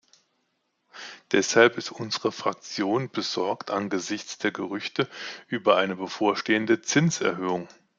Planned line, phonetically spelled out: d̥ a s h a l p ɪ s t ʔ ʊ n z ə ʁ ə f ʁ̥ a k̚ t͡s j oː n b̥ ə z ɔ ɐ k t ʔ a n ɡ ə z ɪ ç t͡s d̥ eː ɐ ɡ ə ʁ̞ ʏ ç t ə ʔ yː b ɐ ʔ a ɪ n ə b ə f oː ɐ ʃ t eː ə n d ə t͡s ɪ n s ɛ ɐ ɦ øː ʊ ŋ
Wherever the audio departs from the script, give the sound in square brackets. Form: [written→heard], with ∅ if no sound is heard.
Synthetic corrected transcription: d̥ [a→ɛ] s h a l p ɪ s t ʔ ʊ n z ə ʁ ə f ʁ̥ a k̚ t͡s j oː n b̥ ə z ɔ ɐ k t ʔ a n ɡ ə z ɪ ç t͡s d̥ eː ɐ ɡ ə ʁ̞ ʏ ç t ə ʔ yː b ɐ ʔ a ɪ n ə b ə f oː ɐ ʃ t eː ə n d ə t͡s ɪ n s ɛ ɐ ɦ øː ʊ ŋ